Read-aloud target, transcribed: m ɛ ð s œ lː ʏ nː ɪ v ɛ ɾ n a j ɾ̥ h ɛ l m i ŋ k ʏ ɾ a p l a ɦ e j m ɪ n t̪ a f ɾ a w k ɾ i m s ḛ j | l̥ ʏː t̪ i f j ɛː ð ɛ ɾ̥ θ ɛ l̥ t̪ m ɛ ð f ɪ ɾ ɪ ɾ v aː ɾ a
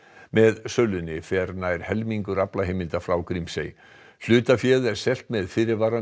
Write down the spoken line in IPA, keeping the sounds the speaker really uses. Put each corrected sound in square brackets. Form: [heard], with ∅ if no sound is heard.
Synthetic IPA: m ɛ ð s œ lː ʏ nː ɪ [f] ɛ ɾ n a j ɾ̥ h ɛ l m i ŋ k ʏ ɾ a p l a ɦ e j m ɪ n t̪ a f ɾ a w k ɾ i m s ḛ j | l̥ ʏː t̪ [a] f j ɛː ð ɛ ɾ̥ [s] ɛ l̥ t̪ m ɛ ð f ɪ ɾ ɪ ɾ v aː ɾ a